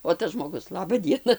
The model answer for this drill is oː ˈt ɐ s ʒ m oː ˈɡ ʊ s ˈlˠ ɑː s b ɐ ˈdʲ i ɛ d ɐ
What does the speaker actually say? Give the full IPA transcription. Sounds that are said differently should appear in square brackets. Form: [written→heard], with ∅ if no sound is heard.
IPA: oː ˈt ɐ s ʒ m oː ˈɡ ʊ s ˈlˠ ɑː [s→∅] b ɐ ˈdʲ i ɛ [d→n] ɐ